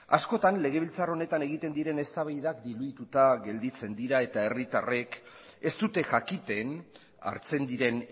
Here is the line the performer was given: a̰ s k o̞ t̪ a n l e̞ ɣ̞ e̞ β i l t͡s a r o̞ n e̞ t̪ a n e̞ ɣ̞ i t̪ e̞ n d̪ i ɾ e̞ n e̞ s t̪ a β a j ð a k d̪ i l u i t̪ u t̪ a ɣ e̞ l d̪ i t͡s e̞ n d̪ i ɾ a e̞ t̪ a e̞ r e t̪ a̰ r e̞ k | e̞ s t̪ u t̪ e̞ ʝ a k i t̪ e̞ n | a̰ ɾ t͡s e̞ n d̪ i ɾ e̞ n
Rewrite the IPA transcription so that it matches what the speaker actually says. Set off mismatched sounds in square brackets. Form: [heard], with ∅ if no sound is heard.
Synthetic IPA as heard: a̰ s k o̞ t̪ a n l e̞ ɣ̞ e̞ β i l t͡s a r o̞ n e̞ t̪ a n e̞ ɣ̞ i t̪ e̞ n d̪ i ɾ e̞ n e̞ s t̪ a β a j ð a k d̪ i l u i t̪ u t̪ a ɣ e̞ l d̪ i t͡s e̞ n d̪ i ɾ a e̞ t̪ a e̞ r [i] t̪ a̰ r e̞ k | e̞ s t̪ u t̪ e̞ ʝ a k i t̪ e̞ n | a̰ ɾ t͡s e̞ n d̪ i ɾ e̞ n